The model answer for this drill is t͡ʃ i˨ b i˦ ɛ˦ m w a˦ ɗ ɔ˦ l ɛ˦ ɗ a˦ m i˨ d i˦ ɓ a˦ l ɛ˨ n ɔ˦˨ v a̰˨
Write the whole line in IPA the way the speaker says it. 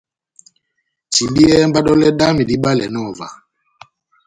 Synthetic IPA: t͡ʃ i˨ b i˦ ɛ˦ m b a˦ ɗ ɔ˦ l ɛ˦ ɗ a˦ m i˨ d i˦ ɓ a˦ l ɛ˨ n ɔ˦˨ v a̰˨